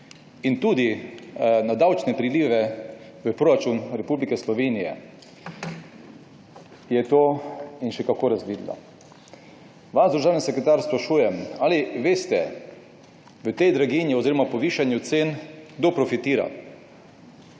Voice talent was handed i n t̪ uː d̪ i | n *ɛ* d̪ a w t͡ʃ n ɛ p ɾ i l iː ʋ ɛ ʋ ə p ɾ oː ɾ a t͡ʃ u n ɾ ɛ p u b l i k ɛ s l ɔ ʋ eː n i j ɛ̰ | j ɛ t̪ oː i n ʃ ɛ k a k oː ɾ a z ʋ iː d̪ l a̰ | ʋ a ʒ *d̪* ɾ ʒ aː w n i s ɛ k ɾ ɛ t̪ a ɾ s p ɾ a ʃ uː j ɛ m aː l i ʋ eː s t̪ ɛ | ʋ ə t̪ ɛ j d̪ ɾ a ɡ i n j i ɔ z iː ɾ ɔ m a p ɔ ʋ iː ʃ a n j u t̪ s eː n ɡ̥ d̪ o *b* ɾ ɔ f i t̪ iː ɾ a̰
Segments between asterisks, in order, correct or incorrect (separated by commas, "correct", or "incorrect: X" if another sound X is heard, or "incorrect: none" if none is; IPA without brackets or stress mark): incorrect: a, correct, incorrect: p